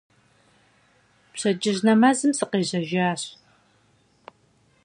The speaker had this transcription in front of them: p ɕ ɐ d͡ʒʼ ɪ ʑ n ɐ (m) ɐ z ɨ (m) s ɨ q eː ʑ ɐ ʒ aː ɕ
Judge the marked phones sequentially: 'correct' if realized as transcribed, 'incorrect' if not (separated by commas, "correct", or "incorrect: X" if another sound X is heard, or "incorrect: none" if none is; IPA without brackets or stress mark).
correct, correct